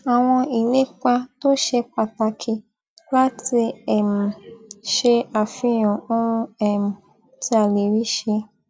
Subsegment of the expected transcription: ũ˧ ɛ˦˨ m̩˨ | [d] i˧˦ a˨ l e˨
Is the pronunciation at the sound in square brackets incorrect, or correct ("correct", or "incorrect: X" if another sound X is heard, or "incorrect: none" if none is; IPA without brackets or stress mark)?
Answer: incorrect: t